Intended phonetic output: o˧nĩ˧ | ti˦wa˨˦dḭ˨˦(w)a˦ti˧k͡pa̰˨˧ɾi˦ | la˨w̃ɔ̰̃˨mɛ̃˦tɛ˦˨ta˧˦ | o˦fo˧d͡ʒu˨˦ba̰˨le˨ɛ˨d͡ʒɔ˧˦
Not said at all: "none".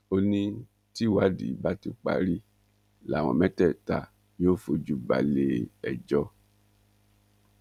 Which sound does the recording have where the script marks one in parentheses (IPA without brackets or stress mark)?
b